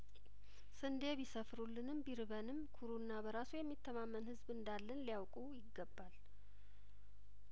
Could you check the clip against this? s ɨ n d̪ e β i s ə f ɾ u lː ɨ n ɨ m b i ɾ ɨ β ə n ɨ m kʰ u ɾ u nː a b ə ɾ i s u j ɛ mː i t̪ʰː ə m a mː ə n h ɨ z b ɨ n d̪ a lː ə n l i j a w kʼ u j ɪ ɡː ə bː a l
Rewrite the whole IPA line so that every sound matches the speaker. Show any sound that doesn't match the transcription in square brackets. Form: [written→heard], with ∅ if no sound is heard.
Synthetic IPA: s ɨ n d̪ e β i s ə f ɾ u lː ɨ n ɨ m b i ɾ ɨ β ə n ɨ m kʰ u ɾ u nː a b ə ɾ [i→a] s u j ɛ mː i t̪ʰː ə m a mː ə n h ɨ z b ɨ n d̪ a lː ə n l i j a w kʼ u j ɪ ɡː ə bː a l